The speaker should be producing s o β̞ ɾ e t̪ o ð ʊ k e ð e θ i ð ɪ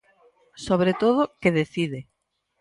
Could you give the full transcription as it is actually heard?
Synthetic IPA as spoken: s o β̞ ɾ e t̪ o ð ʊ k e ð e θ i ð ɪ